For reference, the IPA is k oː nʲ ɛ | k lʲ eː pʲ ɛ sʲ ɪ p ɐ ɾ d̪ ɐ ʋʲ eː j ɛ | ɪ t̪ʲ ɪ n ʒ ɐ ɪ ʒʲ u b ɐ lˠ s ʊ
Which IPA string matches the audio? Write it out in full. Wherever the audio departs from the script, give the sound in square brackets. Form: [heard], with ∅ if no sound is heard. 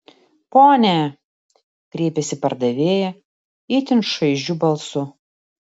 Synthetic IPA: [p] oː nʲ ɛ | k [ɾʲ] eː pʲ ɛ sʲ ɪ p ɐ ɾ d̪ ɐ ʋʲ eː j ɛ | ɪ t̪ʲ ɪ n [ʃ] ɐ ɪ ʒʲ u b ɐ lˠ s ʊ